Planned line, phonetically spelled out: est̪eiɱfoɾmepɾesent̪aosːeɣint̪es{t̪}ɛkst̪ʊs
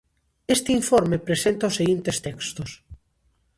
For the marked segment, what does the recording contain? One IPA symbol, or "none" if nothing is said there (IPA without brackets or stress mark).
t̪